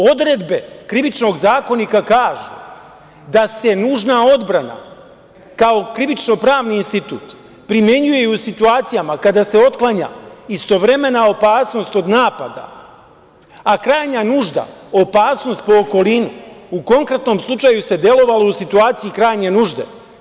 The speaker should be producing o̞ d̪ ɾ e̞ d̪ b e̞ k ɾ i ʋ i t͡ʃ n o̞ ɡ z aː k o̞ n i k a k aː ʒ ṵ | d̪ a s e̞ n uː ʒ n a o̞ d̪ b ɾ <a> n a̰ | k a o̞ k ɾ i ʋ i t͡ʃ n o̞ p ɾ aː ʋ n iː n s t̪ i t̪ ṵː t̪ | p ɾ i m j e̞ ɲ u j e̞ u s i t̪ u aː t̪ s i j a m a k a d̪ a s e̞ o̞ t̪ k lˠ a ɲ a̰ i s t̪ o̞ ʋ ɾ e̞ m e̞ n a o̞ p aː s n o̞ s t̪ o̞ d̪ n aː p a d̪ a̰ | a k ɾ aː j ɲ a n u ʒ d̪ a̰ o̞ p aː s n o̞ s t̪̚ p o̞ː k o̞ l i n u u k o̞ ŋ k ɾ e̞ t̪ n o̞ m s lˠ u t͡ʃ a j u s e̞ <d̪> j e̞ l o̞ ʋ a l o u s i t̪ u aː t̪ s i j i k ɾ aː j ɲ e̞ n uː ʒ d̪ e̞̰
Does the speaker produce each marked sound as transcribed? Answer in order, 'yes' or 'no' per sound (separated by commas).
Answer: yes, yes